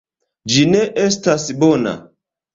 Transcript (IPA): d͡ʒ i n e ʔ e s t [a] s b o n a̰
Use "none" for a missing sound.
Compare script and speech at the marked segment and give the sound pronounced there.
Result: a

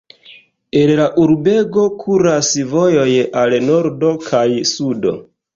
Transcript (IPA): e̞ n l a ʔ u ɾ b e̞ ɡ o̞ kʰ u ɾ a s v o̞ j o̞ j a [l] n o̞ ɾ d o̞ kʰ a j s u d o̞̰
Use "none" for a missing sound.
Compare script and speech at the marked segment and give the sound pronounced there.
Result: l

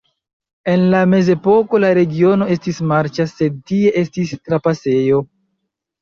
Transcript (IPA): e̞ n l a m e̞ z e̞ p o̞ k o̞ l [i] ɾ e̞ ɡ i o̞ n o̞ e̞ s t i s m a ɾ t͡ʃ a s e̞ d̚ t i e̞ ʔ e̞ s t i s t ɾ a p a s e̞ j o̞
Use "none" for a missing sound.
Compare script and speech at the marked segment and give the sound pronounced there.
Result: a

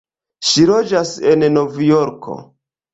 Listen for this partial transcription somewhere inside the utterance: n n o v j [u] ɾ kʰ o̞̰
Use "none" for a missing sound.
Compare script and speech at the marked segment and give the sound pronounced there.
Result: o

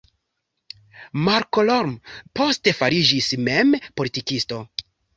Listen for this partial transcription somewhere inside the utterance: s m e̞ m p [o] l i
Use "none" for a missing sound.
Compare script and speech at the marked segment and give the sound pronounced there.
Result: o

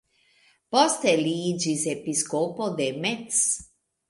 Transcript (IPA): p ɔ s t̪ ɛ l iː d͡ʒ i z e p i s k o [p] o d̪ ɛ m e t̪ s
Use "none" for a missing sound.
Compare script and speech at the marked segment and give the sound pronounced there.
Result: p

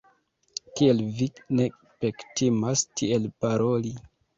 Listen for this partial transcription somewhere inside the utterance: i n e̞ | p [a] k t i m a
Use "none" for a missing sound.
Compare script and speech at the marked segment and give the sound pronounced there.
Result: e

